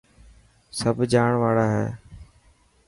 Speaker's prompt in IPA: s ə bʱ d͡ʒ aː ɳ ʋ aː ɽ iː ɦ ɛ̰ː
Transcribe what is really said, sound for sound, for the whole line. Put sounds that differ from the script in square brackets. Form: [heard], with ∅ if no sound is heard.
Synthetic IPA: s ə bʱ d͡ʒ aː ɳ ʋ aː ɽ [aː] ɦ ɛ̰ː